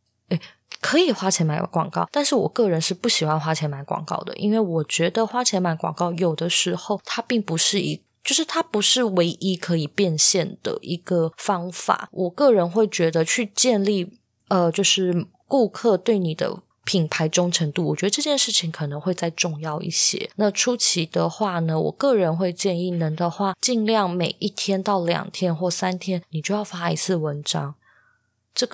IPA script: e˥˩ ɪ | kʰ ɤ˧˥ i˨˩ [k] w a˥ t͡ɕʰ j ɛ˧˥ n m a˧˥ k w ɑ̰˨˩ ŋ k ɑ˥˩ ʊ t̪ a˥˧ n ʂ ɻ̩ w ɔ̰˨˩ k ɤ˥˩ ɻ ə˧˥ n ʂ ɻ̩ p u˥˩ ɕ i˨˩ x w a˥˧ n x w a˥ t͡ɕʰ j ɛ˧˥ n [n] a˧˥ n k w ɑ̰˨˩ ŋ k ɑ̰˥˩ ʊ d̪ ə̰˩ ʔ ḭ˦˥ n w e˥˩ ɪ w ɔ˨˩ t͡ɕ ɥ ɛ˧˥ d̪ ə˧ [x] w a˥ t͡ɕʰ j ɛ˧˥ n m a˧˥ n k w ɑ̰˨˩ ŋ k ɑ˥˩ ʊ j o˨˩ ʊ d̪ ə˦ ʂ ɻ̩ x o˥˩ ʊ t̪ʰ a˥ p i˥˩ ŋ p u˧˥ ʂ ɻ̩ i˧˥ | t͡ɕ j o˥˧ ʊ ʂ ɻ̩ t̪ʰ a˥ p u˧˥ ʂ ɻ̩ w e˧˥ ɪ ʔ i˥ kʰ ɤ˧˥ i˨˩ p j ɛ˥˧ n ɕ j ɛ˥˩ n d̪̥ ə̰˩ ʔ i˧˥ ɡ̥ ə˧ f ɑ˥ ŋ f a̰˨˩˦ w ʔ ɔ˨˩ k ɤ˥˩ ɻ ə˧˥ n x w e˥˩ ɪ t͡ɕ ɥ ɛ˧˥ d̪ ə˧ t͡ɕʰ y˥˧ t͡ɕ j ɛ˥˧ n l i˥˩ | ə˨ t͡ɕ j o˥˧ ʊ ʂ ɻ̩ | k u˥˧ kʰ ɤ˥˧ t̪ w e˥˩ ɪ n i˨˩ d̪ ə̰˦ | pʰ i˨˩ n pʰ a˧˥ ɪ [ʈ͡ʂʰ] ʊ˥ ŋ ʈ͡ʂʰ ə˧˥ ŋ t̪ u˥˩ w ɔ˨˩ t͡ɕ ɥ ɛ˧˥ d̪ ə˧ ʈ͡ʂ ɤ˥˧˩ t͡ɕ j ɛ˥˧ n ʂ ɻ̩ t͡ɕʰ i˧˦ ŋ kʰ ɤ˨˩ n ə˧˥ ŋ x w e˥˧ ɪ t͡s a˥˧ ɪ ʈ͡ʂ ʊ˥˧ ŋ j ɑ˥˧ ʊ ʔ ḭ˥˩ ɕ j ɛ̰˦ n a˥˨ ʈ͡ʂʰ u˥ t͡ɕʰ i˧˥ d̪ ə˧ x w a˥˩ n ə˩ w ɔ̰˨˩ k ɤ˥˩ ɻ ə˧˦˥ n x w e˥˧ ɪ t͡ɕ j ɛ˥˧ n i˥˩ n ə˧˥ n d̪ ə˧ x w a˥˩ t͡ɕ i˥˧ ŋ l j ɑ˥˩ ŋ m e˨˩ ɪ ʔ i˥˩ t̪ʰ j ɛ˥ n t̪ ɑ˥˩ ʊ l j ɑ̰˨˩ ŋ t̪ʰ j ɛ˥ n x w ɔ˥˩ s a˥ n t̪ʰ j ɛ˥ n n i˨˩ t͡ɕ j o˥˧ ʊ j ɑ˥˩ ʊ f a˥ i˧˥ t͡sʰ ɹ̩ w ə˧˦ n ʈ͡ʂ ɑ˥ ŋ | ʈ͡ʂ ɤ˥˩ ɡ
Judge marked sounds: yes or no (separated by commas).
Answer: no, no, yes, no